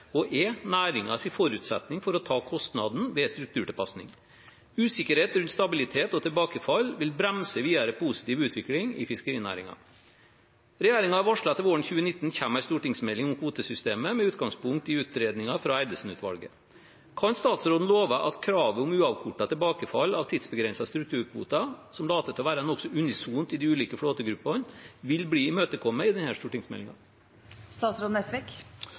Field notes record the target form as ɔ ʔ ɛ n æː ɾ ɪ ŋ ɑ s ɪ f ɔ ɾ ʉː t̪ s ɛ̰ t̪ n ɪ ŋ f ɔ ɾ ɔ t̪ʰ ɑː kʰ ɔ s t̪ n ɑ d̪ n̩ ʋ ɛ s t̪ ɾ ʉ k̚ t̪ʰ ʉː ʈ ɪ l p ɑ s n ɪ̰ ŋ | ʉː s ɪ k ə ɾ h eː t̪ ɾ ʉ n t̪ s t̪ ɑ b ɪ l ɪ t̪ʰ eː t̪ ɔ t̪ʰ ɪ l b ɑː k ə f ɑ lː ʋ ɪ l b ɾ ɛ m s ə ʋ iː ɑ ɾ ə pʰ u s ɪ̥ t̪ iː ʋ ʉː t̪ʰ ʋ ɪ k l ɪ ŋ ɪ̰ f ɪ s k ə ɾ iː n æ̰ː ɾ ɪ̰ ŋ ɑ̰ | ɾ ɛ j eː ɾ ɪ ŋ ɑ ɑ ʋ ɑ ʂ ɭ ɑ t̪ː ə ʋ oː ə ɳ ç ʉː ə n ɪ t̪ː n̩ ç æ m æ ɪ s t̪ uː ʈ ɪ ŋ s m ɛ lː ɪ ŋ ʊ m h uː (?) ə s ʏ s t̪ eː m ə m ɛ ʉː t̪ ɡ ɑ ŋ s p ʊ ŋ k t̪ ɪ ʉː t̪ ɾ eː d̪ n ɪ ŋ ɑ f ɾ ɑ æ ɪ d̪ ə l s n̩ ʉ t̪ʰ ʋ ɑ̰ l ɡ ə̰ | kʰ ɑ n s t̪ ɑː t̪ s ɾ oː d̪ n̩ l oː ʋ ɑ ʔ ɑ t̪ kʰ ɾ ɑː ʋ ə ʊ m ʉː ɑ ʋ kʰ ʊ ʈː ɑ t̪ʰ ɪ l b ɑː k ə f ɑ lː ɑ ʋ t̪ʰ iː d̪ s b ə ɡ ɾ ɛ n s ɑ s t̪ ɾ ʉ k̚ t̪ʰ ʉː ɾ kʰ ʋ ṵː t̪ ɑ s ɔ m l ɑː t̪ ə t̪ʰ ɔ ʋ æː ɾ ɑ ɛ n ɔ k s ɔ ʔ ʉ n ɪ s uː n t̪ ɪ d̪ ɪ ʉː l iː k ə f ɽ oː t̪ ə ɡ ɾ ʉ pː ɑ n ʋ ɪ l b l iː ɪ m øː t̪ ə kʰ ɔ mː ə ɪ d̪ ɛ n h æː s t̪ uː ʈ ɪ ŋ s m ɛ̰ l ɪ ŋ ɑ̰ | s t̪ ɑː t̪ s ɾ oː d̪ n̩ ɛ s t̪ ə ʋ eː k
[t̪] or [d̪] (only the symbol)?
t̪